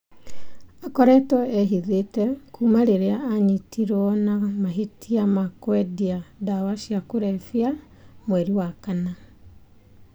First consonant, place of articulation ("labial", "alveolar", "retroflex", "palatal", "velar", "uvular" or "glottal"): velar